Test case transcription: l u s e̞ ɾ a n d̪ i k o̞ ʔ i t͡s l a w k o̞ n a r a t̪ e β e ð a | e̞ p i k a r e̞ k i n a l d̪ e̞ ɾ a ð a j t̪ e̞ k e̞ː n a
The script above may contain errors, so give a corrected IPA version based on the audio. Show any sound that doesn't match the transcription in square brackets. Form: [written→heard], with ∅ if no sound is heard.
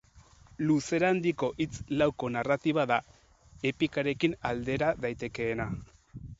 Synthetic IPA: l u s e̞ ɾ a n d̪ i k o̞ ʔ i t͡s l a w k o̞ n a r a t̪ [e→i] β [e→a] ð a | e̞ p i k a [r→ɾ] e̞ k i n a l d̪ e̞ ɾ a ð a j t̪ e̞ k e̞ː n a